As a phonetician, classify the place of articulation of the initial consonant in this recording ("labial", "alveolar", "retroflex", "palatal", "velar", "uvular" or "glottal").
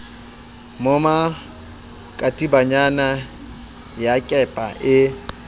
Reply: labial